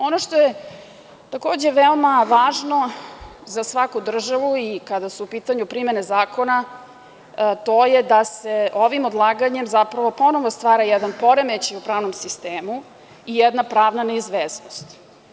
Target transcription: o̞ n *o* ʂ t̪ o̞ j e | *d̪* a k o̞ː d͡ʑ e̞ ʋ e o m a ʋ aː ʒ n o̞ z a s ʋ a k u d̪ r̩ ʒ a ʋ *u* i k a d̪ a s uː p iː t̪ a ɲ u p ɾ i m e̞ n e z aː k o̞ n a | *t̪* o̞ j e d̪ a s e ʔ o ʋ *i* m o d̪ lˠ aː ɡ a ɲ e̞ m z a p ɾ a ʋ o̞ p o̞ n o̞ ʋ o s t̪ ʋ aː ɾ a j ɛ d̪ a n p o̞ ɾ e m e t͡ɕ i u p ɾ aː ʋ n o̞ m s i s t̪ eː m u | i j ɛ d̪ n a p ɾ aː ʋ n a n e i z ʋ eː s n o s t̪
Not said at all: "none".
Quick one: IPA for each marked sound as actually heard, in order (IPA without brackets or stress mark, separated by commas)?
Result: o, t̪, u, t̪, i